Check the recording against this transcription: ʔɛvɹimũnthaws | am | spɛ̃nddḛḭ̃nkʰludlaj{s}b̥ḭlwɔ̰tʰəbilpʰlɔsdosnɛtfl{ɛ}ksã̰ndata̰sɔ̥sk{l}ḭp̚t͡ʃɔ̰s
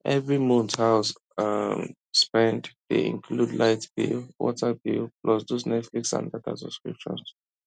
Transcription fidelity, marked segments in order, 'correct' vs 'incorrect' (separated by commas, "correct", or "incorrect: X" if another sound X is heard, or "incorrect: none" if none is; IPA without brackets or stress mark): incorrect: t, incorrect: i, incorrect: ɹ